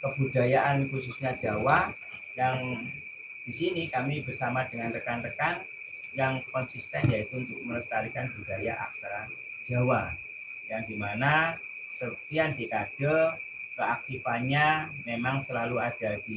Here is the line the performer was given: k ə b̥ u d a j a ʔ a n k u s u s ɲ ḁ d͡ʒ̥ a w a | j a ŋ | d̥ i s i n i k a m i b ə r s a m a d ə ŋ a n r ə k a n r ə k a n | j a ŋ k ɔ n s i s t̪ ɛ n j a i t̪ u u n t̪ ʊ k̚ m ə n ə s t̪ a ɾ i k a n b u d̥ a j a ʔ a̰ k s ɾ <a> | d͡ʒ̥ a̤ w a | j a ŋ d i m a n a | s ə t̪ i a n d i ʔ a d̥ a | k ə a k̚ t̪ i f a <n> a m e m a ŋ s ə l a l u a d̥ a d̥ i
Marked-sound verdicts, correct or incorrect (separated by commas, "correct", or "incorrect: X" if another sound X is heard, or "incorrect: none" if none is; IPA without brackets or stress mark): correct, incorrect: ɲ